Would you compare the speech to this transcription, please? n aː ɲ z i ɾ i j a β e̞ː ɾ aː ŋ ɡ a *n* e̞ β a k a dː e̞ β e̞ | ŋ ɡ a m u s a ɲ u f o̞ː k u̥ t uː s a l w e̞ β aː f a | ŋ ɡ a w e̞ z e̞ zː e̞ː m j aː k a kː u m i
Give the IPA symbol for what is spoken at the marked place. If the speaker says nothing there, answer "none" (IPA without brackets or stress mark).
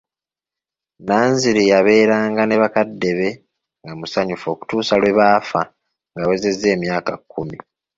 n